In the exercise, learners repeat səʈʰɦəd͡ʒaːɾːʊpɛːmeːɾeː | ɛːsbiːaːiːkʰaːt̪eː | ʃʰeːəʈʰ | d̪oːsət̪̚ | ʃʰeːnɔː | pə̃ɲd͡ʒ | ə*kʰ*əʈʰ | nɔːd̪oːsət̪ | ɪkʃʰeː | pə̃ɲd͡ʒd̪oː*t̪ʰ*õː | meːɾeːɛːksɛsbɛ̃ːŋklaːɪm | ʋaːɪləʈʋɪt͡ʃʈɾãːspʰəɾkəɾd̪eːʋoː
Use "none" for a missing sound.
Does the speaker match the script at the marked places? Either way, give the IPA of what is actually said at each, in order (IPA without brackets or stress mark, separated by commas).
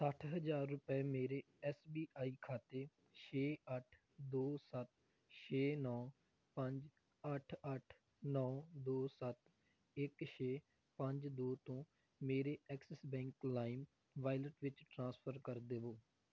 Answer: ʈʰ, t̪